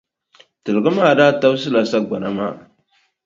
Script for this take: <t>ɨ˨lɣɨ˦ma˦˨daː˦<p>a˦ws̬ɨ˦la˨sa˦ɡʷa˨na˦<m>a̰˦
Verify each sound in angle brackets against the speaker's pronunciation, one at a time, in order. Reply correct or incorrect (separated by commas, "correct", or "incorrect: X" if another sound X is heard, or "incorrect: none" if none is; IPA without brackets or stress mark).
correct, incorrect: t, correct